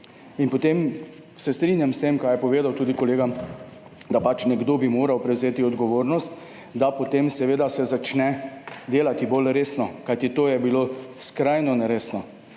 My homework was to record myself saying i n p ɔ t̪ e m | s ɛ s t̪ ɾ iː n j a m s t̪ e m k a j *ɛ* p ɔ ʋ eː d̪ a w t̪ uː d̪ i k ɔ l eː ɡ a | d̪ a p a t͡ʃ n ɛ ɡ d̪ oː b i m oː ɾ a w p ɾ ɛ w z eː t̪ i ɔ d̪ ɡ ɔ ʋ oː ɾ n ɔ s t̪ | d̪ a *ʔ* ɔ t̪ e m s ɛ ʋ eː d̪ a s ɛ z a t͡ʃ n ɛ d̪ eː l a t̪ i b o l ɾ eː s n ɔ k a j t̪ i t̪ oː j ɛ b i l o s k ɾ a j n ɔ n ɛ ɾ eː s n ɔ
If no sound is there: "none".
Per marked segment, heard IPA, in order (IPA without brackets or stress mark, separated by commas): ɛ, p